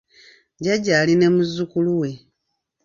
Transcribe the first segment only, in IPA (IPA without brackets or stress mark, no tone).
ɟ